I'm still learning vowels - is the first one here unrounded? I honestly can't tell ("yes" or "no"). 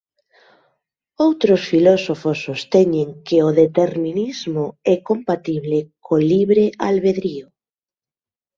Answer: no